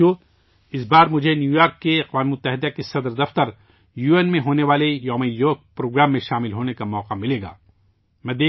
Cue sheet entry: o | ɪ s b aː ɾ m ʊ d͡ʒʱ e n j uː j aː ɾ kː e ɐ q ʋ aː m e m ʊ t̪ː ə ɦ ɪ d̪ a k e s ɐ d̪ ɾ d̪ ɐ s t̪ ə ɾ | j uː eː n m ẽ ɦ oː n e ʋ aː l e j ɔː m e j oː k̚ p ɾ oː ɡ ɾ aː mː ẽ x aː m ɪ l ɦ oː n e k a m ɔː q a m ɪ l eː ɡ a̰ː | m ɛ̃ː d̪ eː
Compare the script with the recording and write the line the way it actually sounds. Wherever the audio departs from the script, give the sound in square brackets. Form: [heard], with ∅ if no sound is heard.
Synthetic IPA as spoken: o | ɪ s b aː ɾ m ʊ d͡ʒʱ e n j uː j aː ɾ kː e ɐ q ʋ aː m e m ʊ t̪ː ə ɦ ɪ d̪ a k e s ɐ d̪ ɾ d̪ ɐ [f] t̪ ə ɾ | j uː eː n m ẽ ɦ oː n e ʋ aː l e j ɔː m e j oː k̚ p ɾ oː ɡ ɾ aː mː ẽ [ʃ] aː m ɪ l ɦ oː n e k a m ɔː q a m ɪ l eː ɡ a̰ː | m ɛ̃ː d̪ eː